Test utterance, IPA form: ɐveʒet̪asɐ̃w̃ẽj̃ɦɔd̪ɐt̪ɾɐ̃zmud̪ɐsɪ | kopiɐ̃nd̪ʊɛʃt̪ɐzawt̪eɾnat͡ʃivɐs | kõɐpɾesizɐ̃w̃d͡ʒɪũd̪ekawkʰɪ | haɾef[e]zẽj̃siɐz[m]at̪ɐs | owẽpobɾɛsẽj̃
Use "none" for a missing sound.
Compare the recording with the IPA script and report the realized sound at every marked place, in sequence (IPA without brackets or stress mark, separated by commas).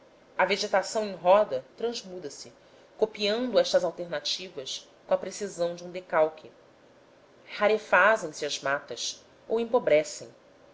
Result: a, m